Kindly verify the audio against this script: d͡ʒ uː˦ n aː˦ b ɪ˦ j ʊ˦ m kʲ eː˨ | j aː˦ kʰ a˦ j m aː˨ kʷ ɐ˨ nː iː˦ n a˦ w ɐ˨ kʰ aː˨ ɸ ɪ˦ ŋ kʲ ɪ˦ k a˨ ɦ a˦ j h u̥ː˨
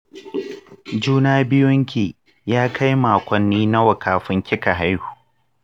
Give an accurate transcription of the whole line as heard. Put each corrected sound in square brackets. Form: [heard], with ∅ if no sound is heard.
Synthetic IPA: d͡ʒ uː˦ n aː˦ b ɪ˦ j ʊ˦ [ŋ] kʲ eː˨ | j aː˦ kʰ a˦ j m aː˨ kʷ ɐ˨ nː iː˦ n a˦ w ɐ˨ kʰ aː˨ ɸ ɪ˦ ŋ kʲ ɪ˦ k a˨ ɦ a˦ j h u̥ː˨